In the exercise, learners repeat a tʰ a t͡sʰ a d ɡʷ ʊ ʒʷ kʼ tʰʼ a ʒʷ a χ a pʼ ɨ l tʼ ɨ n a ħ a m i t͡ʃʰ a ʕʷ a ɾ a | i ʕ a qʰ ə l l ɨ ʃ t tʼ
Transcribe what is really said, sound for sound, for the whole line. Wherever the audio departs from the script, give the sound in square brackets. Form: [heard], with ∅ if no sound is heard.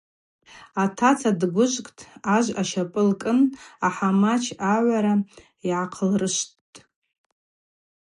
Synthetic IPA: a tʰ a t͡sʰ a d ɡʷ ʊ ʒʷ kʼ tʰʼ a ʒʷ a [ʃ] a pʼ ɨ l [kʼ] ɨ n a ħ a m [a] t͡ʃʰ a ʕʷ a ɾ a | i ʕ a qʰ ə l [r] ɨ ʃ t tʼ